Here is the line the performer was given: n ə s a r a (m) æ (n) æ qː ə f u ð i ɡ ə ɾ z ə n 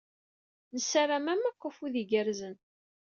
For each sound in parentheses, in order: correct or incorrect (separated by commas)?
correct, incorrect